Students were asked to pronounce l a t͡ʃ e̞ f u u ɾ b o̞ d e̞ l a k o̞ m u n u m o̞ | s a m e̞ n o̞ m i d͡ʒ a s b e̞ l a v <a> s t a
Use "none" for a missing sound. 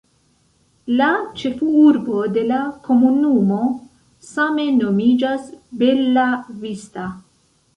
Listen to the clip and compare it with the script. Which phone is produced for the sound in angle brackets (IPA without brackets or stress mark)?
i